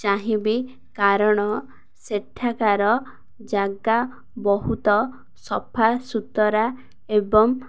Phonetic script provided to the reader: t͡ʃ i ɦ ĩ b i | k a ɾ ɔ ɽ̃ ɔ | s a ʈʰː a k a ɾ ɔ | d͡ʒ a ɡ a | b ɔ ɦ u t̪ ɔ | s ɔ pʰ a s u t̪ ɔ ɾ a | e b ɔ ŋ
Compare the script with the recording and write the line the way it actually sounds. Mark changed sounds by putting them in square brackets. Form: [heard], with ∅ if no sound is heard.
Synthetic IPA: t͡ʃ [a] ɦ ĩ b i | k a ɾ ɔ ɽ̃ ɔ | s [e] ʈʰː a k a ɾ ɔ | d͡ʒ a ɡ a | b ɔ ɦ u t̪ ɔ | s ɔ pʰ a s u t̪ ɔ ɾ a | e b ɔ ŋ